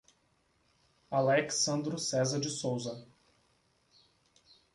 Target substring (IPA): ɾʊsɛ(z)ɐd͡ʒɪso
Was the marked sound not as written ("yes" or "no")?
no